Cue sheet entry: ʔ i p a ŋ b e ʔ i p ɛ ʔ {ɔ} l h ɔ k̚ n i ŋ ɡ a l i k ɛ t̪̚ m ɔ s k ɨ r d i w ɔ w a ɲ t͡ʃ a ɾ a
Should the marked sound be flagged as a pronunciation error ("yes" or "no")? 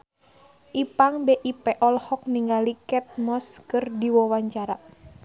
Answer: no